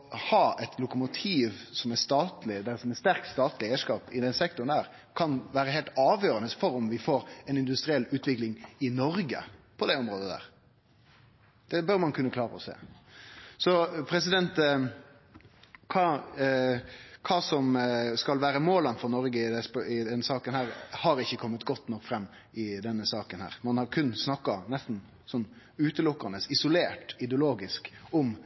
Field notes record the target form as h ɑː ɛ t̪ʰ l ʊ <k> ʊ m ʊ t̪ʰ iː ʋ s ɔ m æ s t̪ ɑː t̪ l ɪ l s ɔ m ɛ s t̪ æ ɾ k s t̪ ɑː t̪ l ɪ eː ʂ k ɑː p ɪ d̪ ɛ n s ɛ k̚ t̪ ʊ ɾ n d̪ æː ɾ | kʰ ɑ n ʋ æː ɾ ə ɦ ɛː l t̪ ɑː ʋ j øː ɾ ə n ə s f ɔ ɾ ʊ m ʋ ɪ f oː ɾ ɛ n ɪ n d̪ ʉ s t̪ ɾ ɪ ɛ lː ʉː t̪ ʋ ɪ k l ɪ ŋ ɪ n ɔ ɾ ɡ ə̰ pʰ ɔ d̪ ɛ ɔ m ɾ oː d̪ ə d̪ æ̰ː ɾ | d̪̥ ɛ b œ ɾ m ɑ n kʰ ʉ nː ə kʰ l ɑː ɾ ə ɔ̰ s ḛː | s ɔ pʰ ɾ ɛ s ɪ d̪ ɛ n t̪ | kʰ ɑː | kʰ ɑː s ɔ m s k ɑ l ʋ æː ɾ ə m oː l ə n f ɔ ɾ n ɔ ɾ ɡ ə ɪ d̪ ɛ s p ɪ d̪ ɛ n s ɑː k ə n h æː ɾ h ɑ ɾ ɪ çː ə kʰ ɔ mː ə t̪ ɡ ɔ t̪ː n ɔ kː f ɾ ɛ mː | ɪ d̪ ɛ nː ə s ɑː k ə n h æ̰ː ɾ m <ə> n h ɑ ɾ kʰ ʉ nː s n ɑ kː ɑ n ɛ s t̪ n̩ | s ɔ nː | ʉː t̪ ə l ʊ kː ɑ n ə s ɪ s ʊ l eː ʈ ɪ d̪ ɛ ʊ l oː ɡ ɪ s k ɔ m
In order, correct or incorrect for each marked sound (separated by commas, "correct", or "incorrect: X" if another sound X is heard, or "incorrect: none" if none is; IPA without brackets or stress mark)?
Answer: correct, incorrect: ɑ